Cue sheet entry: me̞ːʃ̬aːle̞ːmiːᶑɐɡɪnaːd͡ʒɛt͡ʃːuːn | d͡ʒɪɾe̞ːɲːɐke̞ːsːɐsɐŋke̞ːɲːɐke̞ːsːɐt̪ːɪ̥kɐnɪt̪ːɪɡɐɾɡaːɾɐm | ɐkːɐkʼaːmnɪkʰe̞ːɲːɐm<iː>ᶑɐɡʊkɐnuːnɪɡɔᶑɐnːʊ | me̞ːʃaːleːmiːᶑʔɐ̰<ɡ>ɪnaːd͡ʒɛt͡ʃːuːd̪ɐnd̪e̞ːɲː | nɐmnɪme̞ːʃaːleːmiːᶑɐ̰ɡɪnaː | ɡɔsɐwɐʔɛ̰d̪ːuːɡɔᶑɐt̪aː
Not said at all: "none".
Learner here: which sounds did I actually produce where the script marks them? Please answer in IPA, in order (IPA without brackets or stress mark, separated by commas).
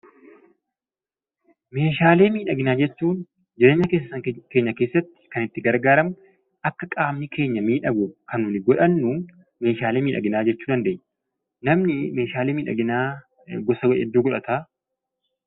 iː, ɡ